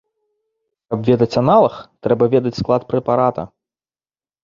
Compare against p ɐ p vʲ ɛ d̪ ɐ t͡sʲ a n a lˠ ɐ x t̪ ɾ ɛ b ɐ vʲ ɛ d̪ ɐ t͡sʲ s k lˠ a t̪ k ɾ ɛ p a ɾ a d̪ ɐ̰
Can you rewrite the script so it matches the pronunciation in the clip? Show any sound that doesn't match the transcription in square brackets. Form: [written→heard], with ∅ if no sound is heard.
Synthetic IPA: [p→k] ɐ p vʲ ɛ d̪ ɐ t͡sʲ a n a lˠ ɐ x t̪ ɾ ɛ b ɐ vʲ ɛ d̪ ɐ t͡sʲ s k lˠ a t̪ [k→p] ɾ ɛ p a ɾ a [d̪→t̪] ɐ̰